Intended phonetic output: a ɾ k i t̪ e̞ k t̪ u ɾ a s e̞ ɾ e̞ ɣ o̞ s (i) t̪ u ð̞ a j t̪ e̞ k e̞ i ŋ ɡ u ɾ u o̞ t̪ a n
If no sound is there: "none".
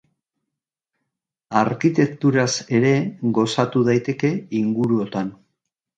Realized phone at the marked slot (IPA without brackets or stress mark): a